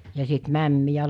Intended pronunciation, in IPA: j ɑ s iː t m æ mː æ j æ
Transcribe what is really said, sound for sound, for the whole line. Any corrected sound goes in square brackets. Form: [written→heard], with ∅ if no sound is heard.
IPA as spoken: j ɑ s [iː→i] t m æ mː [æ→i] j æ